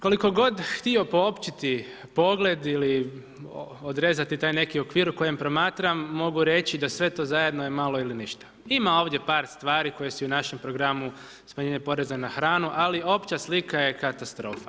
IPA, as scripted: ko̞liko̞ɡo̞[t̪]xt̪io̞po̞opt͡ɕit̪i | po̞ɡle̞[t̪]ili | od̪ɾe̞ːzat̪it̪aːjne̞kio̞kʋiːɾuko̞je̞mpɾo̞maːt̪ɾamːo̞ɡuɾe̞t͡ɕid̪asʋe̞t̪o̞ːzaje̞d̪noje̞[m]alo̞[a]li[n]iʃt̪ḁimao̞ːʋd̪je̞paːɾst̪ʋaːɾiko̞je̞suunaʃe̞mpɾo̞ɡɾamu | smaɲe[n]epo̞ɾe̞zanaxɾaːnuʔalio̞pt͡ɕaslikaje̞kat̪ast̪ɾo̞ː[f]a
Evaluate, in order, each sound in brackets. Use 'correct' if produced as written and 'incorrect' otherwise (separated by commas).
incorrect, incorrect, correct, incorrect, correct, incorrect, correct